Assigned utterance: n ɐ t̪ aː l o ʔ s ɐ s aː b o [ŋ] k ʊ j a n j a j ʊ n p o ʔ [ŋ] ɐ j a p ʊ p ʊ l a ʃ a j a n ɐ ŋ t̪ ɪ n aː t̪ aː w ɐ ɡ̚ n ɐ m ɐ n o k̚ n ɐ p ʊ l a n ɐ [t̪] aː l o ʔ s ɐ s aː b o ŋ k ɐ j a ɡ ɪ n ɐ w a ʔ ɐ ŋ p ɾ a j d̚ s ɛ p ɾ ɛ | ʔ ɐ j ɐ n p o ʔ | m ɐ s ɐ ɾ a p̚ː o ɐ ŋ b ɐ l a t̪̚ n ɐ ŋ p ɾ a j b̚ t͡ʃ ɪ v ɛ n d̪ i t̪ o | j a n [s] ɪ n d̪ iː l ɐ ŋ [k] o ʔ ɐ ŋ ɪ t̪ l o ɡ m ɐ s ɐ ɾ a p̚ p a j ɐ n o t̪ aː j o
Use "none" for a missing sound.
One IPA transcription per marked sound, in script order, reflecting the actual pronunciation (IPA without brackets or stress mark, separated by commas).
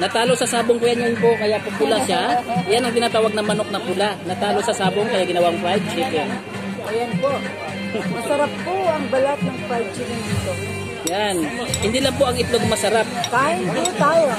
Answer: ŋ, ŋ, t̪, h, p